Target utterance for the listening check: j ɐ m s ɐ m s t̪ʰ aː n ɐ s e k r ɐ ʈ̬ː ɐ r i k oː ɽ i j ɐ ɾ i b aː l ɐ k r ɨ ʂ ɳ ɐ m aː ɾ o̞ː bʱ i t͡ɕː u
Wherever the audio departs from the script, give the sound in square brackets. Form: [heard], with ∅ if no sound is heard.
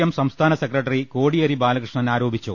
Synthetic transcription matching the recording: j ɐ m s ɐ m s t̪ʰ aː n ɐ s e k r ɐ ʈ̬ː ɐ r i k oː ɽ i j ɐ ɾ i b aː l ɐ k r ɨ ʂ ɳ ɐ [n] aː ɾ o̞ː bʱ i t͡ɕː u